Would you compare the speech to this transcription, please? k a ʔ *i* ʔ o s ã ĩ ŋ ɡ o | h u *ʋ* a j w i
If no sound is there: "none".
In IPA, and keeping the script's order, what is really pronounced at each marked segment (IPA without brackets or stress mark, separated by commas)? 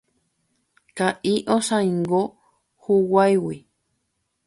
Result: i, w